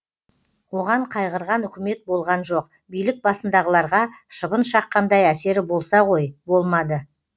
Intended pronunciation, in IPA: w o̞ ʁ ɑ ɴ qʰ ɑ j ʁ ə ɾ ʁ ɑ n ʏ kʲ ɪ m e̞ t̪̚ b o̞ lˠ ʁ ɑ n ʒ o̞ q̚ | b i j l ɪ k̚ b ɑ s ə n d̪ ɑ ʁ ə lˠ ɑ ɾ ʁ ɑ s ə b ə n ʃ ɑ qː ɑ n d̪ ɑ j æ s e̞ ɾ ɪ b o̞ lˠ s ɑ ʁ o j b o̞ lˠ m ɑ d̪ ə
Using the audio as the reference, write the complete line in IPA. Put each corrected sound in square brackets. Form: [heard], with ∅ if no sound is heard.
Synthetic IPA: w o̞ ʁ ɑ ɴ qʰ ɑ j ʁ ə ɾ ʁ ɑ n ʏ kʲ ɪ m e̞ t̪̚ b o̞ lˠ ʁ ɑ n ʒ o̞ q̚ | b i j l ɪ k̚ b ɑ s ə n d̪ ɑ ʁ ə lˠ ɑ ɾ ʁ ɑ [ʃ] ə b ə n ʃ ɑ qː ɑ n d̪ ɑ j æ s e̞ ɾ ɪ b o̞ lˠ s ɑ ʁ o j b o̞ lˠ m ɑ d̪ ə

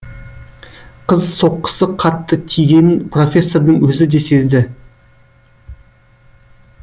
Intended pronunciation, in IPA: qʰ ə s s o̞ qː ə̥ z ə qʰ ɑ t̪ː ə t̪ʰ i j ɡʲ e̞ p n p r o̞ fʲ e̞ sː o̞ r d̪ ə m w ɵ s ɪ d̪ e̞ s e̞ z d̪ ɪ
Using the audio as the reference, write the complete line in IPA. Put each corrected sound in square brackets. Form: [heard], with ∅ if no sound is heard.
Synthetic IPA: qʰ ə [z] s o̞ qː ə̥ [s] ə qʰ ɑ t̪ː ə t̪ʰ i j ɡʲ e̞ [∅] n p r o̞ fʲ e̞ sː o̞ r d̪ ə [ɴ] w ɵ [z] ɪ d̪ e̞ s e̞ z d̪ ɪ

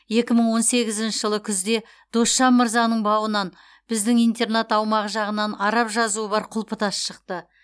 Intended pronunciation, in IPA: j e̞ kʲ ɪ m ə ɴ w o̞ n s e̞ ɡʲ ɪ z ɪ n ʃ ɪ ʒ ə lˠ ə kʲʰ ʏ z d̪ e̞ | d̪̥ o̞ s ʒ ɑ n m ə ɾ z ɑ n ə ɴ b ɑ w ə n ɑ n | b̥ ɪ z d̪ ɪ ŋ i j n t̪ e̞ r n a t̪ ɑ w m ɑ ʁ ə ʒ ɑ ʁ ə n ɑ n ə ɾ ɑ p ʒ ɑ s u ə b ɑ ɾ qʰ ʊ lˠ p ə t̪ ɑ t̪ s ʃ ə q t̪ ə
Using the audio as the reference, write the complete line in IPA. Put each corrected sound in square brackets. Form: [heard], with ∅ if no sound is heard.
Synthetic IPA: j e̞ kʲ ɪ m ə ɴ w o̞ n s e̞ ɡʲ ɪ z ɪ n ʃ ɪ ʒ ə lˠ ə kʲʰ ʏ z d̪ e̞ | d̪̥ o̞ s [ʃ] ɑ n m ə ɾ z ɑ n ə ɴ b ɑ w ə n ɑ n | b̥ ɪ z d̪ ɪ ŋ i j n t̪ e̞ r n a t̪ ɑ w m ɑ ʁ ə ʒ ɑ ʁ ə n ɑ n [ɑ] ɾ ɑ p ʒ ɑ [z] u ə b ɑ ɾ qʰ ʊ lˠ p ə t̪ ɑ [∅] s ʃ ə q t̪ ə

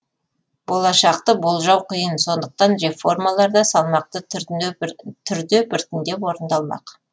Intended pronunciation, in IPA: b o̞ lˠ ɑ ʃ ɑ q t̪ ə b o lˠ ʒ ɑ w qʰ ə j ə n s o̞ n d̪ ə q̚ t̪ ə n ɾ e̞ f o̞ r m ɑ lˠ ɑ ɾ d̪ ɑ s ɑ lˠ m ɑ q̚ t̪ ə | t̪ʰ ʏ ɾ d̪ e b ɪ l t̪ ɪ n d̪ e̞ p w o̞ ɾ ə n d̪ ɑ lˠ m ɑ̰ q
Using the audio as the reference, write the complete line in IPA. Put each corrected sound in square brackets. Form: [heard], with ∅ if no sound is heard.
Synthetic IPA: b o̞ lˠ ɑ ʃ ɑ q t̪ ə b o lˠ ʒ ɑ w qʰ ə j ə n s o̞ n d̪ ə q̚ t̪ [ɑ] n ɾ e̞ f o̞ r m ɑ lˠ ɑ ɾ d̪ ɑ s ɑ lˠ m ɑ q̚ t̪ ə | t̪ʰ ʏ ɾ d̪ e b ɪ [ɾ] t̪ ɪ n d̪ e̞ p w o̞ ɾ ə n d̪ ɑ lˠ m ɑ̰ q

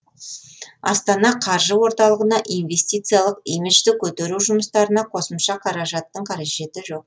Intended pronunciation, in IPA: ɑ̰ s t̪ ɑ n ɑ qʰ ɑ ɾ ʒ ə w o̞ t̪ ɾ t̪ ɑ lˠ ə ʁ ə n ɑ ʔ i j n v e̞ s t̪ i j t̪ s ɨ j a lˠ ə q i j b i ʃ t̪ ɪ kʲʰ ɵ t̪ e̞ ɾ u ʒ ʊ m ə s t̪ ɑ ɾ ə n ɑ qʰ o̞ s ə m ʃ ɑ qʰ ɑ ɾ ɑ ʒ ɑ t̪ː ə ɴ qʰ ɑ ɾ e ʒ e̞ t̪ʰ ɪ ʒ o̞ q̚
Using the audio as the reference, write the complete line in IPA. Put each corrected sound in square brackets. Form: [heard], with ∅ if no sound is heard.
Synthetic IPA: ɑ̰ s t̪ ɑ n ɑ qʰ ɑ ɾ ʒ ə w o̞ [∅] ɾ t̪ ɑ lˠ ə ʁ ə n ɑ ʔ i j n v e̞ s t̪ i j t̪ s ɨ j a lˠ ə q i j [m] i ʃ t̪ ɪ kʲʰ ɵ t̪ e̞ ɾ u ʒ ʊ m ə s t̪ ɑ ɾ ə n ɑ qʰ o̞ s ə m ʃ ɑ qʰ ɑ ɾ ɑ ʒ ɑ t̪ː ə ɴ qʰ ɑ ɾ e ʒ e̞ [t̪] ɪ ʒ o̞ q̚

